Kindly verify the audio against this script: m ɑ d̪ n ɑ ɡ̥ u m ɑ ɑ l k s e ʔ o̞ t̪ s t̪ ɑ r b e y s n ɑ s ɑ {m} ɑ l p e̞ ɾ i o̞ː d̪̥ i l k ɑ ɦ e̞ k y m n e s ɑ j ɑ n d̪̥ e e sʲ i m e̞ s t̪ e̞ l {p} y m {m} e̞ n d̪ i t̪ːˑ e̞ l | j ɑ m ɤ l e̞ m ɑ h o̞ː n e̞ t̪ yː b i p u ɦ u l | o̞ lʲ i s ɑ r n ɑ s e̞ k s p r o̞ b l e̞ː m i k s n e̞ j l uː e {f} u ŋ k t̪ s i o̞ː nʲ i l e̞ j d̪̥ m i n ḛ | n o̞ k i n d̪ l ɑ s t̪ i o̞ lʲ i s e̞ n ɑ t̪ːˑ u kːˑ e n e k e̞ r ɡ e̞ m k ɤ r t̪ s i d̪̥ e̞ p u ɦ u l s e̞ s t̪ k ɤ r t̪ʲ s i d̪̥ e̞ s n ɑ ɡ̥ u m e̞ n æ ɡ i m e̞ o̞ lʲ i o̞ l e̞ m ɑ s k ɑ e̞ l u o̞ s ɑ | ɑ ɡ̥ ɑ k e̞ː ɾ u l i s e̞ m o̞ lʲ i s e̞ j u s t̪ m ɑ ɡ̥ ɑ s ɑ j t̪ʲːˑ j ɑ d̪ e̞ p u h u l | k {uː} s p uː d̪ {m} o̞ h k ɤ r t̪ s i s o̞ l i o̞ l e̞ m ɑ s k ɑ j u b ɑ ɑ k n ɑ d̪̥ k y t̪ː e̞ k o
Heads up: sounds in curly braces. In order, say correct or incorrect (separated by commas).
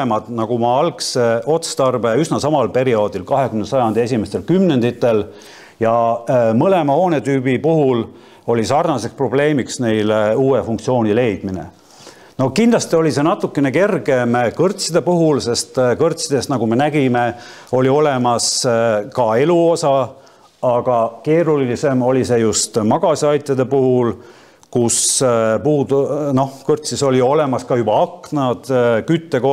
correct, incorrect, incorrect, correct, incorrect, incorrect